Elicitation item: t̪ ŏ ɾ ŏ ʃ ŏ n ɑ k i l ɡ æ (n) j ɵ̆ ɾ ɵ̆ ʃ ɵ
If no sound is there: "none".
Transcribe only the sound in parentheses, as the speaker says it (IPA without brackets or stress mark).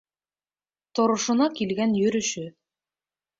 n